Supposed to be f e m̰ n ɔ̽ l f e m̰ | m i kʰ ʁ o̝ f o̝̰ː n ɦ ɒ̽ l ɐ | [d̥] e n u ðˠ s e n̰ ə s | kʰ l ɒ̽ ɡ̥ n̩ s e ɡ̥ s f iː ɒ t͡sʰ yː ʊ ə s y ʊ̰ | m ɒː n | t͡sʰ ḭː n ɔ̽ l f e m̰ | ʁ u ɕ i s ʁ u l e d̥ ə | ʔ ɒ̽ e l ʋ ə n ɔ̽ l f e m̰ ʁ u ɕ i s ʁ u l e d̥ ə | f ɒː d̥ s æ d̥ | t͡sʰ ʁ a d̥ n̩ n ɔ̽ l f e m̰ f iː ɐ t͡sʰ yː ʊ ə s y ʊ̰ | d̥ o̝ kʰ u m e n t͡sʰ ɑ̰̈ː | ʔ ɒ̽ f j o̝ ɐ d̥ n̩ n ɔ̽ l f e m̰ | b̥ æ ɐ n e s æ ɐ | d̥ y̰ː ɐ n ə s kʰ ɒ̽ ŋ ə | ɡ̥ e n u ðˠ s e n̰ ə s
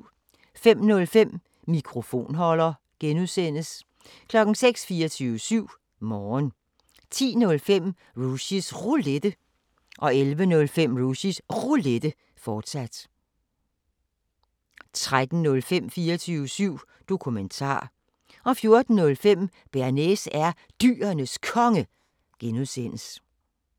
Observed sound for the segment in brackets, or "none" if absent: ɡ̥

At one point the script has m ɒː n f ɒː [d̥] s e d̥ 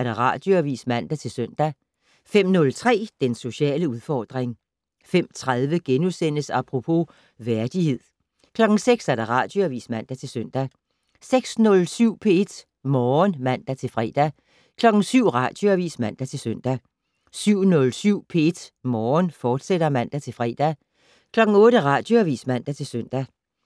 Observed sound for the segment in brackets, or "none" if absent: d̥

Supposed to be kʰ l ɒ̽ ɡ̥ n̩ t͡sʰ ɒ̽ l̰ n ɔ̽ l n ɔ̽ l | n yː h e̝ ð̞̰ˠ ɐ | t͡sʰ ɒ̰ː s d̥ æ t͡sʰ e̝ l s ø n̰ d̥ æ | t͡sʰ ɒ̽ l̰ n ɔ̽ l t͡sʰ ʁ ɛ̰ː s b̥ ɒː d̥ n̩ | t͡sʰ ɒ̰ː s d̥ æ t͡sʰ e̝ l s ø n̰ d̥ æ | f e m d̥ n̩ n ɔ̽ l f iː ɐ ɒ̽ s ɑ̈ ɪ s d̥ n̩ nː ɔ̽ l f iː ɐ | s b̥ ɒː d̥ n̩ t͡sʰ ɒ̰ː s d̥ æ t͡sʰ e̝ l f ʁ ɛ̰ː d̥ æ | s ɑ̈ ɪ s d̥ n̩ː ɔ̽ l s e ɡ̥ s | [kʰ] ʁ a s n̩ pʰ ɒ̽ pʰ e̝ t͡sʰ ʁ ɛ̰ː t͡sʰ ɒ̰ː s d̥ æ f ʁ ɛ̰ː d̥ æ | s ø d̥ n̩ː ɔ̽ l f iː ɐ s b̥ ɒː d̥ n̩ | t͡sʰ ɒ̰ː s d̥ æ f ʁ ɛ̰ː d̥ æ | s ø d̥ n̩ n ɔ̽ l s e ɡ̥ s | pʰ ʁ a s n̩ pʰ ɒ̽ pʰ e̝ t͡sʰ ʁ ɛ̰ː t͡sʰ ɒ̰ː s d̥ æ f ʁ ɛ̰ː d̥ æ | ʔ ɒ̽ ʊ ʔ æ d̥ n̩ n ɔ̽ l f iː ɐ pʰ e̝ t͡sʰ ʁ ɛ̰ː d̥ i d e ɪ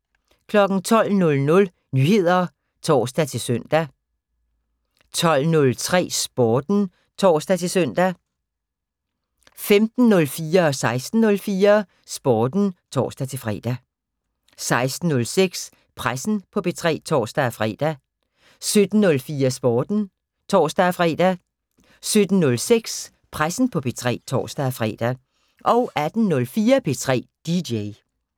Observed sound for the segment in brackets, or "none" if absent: pʰ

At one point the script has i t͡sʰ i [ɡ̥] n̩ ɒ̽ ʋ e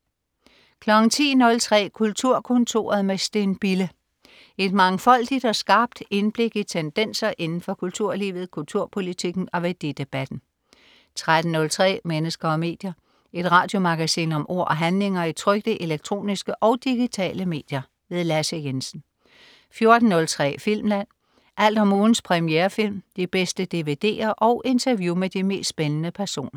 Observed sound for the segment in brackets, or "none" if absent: ɡ̥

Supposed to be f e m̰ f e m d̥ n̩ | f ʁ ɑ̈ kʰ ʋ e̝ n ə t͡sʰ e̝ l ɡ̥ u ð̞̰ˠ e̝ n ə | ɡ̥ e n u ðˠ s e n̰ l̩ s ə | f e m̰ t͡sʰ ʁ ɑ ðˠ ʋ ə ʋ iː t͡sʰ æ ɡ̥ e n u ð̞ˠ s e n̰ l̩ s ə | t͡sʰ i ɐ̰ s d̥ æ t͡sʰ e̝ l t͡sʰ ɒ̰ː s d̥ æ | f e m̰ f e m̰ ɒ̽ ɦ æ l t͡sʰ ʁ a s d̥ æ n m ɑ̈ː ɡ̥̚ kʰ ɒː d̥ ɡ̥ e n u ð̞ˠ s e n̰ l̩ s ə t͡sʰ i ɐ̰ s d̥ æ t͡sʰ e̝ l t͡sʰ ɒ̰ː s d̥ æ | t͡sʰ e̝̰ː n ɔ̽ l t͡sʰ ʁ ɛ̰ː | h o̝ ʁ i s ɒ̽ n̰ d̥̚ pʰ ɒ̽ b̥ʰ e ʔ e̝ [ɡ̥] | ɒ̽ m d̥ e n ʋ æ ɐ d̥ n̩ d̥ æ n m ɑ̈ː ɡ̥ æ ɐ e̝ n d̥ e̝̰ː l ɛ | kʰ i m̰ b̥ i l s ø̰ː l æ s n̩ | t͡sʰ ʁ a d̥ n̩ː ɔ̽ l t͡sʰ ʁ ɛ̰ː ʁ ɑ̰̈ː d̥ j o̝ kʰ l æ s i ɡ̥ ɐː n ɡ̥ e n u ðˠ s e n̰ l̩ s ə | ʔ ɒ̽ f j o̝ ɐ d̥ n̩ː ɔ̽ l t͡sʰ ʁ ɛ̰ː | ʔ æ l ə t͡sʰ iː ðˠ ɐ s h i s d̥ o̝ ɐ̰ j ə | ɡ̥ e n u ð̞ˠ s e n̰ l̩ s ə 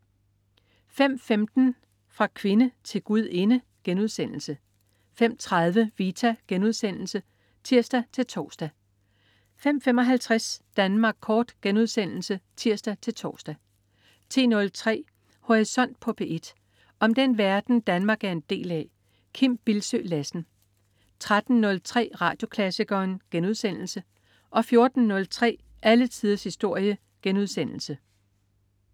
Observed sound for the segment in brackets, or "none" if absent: d̥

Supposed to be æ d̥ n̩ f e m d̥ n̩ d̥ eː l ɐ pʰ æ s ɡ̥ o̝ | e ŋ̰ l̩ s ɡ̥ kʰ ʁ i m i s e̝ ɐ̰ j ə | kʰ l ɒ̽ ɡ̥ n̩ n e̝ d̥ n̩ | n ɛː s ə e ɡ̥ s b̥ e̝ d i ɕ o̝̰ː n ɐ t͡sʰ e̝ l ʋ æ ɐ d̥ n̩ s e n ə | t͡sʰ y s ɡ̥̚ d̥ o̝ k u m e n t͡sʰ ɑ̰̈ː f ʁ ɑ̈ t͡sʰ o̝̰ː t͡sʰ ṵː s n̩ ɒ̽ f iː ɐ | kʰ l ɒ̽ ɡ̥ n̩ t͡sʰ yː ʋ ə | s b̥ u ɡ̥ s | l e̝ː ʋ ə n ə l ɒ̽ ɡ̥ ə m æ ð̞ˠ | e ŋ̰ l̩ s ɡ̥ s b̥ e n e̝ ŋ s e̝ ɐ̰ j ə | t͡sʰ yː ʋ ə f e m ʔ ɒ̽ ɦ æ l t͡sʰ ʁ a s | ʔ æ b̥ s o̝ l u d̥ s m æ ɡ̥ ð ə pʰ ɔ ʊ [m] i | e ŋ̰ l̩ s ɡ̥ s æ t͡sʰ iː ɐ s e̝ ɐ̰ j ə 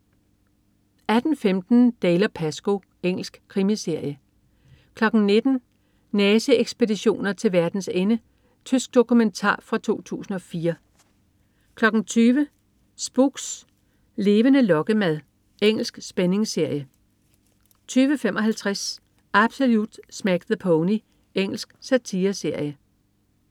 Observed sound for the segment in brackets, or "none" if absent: n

